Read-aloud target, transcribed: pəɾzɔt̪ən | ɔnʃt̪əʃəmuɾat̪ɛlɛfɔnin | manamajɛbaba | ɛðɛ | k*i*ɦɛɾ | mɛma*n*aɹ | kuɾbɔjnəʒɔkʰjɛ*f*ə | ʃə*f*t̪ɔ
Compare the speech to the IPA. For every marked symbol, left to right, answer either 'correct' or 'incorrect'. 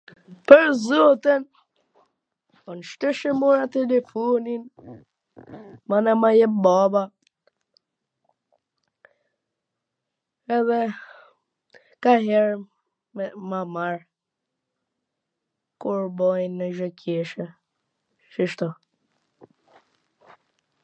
incorrect: a, incorrect: m, incorrect: ʃ, incorrect: ʃ

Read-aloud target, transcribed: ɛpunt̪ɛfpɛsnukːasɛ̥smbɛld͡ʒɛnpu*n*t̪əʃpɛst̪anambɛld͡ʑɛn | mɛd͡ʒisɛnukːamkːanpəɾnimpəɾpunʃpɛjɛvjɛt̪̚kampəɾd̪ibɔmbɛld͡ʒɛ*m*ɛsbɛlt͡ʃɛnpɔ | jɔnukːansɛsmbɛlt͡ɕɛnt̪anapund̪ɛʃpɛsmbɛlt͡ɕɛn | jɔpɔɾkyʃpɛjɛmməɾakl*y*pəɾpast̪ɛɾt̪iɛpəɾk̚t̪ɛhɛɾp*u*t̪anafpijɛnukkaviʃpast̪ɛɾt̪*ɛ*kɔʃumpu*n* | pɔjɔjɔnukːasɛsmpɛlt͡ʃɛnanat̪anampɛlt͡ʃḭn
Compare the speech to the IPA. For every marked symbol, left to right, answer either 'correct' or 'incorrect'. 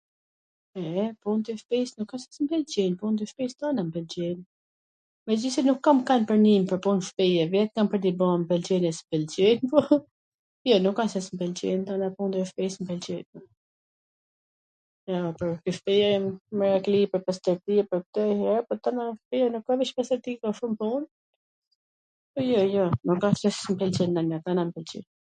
correct, incorrect: n, incorrect: i, incorrect: ɔ, incorrect: i, correct

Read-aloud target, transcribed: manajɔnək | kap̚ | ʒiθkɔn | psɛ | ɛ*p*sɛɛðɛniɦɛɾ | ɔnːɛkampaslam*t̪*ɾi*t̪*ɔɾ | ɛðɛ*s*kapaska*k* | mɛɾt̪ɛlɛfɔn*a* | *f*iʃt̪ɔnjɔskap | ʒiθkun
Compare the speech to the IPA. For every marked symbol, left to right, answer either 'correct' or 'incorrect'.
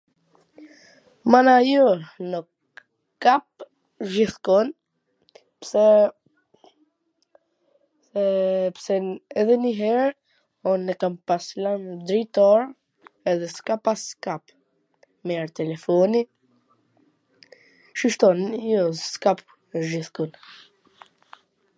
correct, incorrect: d̪, correct, correct, incorrect: p, incorrect: i, incorrect: ʃ

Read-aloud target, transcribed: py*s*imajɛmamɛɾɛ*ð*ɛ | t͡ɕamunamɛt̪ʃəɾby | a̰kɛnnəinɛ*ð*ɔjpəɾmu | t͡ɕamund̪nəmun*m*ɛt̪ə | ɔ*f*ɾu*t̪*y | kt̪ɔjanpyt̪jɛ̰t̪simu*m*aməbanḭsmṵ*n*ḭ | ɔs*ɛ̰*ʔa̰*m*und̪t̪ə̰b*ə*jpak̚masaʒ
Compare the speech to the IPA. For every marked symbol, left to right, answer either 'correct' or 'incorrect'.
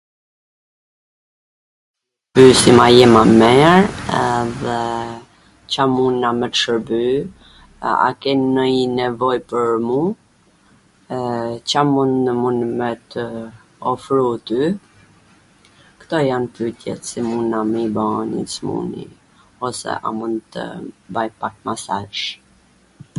correct, correct, incorrect: v, correct, correct, correct, incorrect: n, correct, correct, correct, incorrect: a

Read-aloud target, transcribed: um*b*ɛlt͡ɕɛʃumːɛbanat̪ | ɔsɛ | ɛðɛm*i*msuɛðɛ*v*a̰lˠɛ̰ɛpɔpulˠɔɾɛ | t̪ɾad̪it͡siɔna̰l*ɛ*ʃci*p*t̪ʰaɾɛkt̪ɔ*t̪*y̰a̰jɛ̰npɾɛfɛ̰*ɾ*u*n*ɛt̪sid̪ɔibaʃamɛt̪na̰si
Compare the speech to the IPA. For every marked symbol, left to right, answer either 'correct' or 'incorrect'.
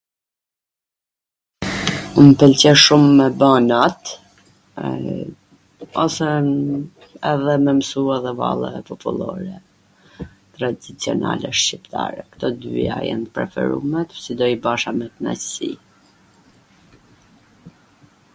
incorrect: p, incorrect: ɛ, correct, correct, correct, incorrect: d̪, correct, incorrect: m

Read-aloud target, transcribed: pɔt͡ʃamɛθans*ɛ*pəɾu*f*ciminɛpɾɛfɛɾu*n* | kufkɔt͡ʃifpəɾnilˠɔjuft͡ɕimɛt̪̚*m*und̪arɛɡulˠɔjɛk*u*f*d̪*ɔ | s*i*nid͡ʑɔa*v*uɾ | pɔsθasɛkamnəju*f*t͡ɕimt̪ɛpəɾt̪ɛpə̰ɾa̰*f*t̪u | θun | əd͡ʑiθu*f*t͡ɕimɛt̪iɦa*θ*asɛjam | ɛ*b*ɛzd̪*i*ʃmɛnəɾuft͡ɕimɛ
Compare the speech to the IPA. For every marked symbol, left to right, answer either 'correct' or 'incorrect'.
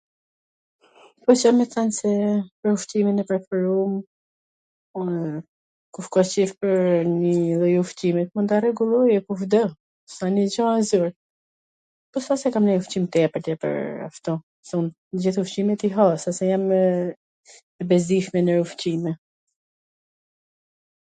correct, correct, incorrect: m, correct, correct, correct, incorrect: a, incorrect: z, correct, correct, correct, incorrect: s, correct, correct

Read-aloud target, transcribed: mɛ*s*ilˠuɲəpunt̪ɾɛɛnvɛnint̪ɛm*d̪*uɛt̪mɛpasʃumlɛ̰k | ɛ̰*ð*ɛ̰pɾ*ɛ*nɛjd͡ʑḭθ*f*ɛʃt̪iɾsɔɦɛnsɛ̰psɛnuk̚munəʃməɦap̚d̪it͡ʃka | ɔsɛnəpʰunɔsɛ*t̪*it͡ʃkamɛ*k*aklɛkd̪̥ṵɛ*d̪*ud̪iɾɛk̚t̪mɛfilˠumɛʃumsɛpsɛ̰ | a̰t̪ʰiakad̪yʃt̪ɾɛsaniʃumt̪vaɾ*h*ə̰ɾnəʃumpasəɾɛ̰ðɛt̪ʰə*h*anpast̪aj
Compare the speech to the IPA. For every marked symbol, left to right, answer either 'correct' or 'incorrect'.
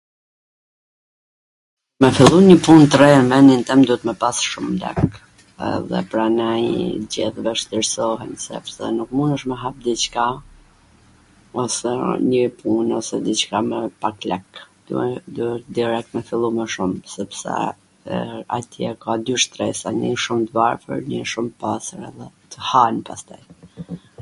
incorrect: f, correct, correct, incorrect: a, incorrect: v, incorrect: d̪, incorrect: p, correct, incorrect: f, correct

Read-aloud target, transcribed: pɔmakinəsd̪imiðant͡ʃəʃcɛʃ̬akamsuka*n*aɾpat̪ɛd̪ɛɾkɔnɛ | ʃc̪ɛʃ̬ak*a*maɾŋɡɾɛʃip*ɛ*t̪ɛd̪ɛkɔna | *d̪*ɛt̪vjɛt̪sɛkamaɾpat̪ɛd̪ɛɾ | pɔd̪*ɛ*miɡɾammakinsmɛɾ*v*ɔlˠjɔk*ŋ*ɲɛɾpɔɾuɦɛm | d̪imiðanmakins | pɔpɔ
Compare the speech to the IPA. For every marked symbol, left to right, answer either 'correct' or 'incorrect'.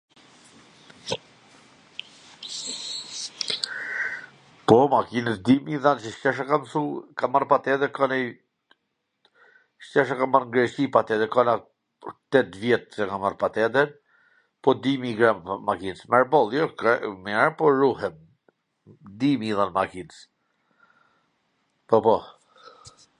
incorrect: m, correct, incorrect: a, incorrect: t̪, incorrect: i, incorrect: b, incorrect: m

